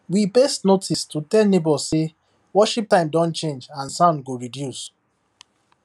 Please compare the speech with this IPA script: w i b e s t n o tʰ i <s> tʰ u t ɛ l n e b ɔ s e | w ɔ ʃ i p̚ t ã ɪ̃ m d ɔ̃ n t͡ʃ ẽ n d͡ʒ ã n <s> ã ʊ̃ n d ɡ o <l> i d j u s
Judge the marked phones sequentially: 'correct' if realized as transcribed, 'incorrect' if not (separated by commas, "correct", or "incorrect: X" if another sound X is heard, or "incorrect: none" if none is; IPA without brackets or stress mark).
correct, correct, incorrect: ɹ